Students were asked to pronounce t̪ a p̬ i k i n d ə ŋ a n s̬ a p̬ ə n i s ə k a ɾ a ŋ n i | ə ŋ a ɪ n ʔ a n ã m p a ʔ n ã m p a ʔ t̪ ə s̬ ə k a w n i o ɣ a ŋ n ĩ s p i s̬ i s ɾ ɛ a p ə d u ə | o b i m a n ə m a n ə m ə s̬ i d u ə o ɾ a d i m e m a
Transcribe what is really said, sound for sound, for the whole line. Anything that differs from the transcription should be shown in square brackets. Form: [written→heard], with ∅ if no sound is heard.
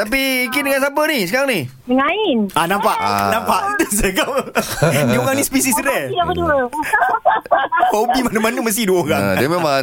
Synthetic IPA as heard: t̪ a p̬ i k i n d ə ŋ a n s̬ a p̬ ə n i s ə k a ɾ a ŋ n i | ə ŋ a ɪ n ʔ a n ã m p a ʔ n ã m p a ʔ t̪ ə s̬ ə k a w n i o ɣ a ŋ n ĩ s p i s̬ i s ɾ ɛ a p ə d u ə | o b i m a n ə m a n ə m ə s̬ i d u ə o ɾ a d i m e m a